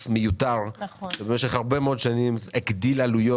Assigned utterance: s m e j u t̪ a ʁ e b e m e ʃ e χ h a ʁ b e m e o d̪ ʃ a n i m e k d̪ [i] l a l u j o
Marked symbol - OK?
yes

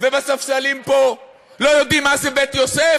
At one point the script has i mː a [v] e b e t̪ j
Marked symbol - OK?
no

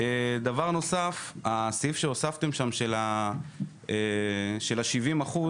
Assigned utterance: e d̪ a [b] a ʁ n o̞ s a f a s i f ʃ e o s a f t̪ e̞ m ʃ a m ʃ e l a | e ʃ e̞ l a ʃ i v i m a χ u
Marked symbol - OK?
no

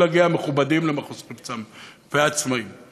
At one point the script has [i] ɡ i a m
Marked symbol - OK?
no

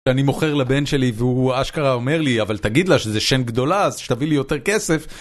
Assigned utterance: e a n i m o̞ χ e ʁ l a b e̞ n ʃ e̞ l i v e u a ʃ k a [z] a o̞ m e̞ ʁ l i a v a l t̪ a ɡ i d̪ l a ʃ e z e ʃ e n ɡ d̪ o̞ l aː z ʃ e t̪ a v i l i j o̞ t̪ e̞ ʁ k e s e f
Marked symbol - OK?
no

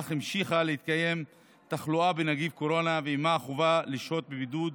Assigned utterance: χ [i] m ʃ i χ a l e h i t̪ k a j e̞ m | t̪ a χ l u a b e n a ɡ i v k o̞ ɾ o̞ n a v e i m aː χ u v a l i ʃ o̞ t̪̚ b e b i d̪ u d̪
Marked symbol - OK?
yes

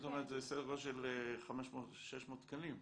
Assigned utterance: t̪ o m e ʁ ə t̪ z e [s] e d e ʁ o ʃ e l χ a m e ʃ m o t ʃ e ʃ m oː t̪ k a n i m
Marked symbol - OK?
yes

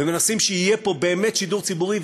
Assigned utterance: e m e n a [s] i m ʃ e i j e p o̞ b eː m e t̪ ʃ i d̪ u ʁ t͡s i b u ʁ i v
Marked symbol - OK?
yes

